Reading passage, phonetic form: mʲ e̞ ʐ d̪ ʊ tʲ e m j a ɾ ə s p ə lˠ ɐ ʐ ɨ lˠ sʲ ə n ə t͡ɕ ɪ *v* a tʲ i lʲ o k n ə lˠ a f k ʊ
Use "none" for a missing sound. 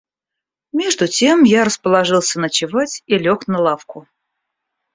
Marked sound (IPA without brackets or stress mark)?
v